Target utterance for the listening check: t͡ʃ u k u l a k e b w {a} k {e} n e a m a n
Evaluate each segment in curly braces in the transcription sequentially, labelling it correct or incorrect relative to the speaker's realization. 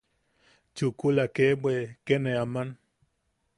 incorrect: e, correct

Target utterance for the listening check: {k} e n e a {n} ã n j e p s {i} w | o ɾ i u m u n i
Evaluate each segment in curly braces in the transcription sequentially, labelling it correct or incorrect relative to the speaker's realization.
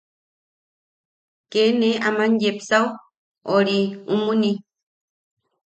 correct, incorrect: m, incorrect: a

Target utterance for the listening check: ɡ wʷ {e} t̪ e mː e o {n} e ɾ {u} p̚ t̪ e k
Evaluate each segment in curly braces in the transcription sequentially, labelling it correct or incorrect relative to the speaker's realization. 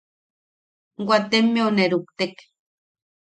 incorrect: a, correct, correct

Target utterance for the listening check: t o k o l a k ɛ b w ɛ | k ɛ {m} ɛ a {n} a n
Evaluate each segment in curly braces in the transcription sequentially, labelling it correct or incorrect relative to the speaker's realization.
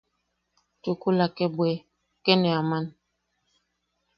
incorrect: n, incorrect: m

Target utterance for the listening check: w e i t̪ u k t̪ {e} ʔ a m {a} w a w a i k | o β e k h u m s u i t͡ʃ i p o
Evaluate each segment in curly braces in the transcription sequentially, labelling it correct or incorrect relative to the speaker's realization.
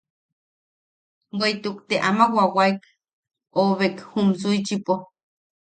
correct, correct

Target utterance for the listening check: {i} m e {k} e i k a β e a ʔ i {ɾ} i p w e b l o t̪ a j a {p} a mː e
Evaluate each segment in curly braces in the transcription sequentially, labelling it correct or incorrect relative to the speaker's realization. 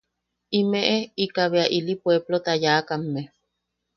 correct, incorrect: ʔ, incorrect: l, incorrect: k

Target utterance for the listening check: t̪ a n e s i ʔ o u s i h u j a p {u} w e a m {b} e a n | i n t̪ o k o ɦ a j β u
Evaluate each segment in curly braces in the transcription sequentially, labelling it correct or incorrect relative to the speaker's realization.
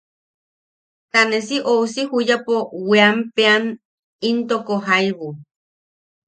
incorrect: o, incorrect: p

